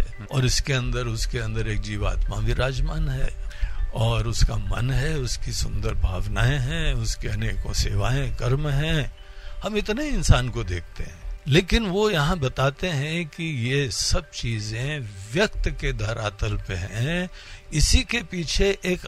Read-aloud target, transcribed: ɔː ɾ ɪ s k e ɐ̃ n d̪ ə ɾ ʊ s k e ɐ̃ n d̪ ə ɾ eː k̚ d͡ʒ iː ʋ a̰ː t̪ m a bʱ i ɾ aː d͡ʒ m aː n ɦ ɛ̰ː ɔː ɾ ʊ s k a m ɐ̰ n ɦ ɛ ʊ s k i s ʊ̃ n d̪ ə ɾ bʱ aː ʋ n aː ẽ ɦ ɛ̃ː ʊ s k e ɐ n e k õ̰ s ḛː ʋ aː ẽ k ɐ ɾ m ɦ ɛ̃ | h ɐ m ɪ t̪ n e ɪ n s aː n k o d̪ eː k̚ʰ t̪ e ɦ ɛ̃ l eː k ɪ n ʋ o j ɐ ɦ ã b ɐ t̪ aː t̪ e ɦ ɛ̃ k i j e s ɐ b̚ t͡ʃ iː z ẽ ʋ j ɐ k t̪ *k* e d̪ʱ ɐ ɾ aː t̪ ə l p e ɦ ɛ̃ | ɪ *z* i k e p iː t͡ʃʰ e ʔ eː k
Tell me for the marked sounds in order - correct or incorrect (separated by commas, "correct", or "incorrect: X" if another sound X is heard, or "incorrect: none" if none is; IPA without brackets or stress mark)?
correct, incorrect: s